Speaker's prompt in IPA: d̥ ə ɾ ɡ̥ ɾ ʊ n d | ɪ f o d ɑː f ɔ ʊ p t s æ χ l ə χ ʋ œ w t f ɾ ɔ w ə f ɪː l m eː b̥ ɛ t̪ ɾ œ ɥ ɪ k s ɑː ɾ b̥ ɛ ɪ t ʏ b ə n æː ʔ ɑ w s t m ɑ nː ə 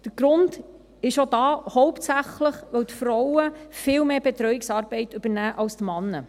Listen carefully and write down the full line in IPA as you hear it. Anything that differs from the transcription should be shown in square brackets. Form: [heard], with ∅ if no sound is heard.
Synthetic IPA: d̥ ə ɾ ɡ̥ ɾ ʊ n d | ɪ [ʃ] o d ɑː [h] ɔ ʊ p t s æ χ l ə χ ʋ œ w t f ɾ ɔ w ə f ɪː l m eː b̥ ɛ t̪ ɾ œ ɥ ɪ k s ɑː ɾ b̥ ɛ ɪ t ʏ b ə n æː ʔ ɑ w s t m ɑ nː ə